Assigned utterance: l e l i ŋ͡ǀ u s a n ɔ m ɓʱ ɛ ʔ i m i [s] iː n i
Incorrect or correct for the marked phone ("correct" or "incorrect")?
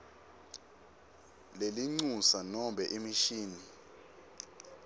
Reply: incorrect